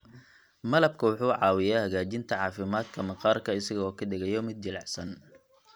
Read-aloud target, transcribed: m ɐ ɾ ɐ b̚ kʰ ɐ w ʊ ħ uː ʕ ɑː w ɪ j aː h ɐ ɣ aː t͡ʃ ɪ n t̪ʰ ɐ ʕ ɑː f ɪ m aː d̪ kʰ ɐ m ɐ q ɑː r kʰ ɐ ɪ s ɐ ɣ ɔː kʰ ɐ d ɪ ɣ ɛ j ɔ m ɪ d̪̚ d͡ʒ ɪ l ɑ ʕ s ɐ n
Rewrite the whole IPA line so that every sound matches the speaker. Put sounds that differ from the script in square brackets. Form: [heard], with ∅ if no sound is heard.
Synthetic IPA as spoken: m ɐ [l] ɐ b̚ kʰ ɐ w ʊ ħ uː ʕ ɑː w ɪ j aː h ɐ ɣ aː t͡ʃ ɪ n t̪ʰ ɐ ʕ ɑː f ɪ m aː d̪ kʰ ɐ m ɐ q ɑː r kʰ ɐ ɪ s ɐ ɣ ɔː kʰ ɐ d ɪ ɣ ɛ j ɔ m ɪ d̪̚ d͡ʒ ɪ l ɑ ʕ s ɐ n